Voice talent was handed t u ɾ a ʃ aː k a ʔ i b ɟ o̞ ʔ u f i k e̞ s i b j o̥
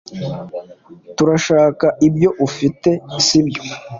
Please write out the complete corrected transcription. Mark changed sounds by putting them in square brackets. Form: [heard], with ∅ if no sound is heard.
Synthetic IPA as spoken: t u ɾ a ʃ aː k a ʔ i b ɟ o̞ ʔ u f i [t] e̞ s i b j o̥

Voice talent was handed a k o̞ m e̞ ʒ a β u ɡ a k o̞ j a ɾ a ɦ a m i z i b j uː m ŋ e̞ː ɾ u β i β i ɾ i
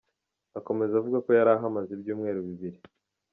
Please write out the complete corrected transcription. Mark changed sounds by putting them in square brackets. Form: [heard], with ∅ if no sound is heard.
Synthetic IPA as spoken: a k o̞ m e̞ [z] a [v] u ɡ a k o̞ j a ɾ a ɦ a m [a] z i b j uː m ŋ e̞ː ɾ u β i β i ɾ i

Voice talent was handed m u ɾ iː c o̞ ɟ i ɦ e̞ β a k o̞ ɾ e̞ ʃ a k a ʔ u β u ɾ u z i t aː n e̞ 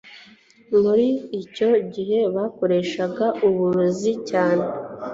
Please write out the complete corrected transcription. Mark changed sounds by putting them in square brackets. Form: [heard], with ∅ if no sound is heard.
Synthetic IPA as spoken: m u ɾ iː c o̞ ɟ i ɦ e̞ β a k o̞ ɾ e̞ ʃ a [ɡ] a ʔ u β u ɾ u z i [c] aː n e̞

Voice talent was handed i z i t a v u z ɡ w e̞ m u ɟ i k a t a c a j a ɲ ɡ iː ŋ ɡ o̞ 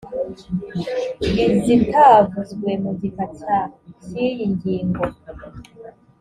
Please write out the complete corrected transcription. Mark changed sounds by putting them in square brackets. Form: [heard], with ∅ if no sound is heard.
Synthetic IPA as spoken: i z i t a v u z ɡ w e̞ m u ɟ i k a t a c [i] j [i] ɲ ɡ iː ŋ ɡ o̞

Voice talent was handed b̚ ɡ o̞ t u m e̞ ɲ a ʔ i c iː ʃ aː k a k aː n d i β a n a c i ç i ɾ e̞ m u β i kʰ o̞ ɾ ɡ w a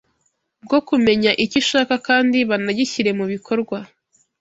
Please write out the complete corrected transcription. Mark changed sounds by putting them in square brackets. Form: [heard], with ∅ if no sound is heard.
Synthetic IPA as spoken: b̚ ɡ o̞ [k] u m e̞ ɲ a ʔ i c [i] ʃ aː k a k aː n d i β a n a [ɟ] i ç i ɾ e̞ m u β i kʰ o̞ ɾ ɡ w a

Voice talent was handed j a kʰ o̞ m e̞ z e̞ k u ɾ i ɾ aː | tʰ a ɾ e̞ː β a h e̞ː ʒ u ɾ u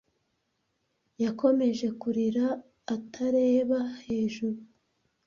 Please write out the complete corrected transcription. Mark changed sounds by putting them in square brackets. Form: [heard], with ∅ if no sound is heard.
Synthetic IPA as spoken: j a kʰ o̞ m e̞ [ʒ] e̞ k u ɾ i ɾ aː | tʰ a ɾ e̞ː β a h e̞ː ʒ u ɾ u

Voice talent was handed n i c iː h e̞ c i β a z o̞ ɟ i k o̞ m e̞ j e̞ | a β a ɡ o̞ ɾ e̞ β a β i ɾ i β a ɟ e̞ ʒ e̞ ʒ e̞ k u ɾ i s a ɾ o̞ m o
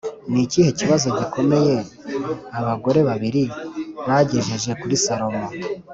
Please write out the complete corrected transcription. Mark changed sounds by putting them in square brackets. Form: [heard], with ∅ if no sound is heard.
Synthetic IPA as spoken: n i c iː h e̞ c i β a z o̞ ɟ i k o̞ m e̞ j e̞ | a β a ɡ o̞ ɾ e̞ β a β i ɾ i β a ɟ e̞ ʒ e̞ ʒ e̞ k u ɾ i s a ɾ o̞ m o

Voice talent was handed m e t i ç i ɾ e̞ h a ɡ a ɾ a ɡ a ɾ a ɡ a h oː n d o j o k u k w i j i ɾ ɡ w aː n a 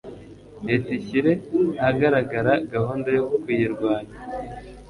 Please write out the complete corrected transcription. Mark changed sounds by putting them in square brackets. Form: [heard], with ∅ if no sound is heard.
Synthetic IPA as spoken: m e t i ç i ɾ e̞ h a ɡ a ɾ a ɡ a ɾ a ɡ a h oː n d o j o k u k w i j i ɾ ɡ w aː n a

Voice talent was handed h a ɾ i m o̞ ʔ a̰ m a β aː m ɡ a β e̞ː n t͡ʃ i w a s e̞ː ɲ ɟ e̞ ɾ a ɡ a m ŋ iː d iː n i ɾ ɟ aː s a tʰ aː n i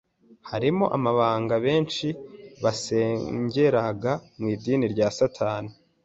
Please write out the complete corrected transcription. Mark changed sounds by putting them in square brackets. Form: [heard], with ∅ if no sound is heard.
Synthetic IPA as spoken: h a ɾ i m o̞ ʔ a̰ m a β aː [ŋ] ɡ a β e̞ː n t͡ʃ i [β] a s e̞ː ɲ ɟ e̞ ɾ a ɡ a m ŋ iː d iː n i ɾ ɟ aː s a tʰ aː n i

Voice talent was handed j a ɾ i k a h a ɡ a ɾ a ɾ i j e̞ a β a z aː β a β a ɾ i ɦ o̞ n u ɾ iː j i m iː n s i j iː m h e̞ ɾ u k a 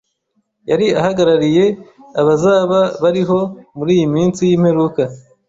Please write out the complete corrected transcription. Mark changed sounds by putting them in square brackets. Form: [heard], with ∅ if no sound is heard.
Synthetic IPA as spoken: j a ɾ i [∅] a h a ɡ a ɾ a ɾ i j e̞ a β a z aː β a β a ɾ i ɦ o̞ [m] u ɾ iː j i m iː n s i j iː m h e̞ ɾ u k a

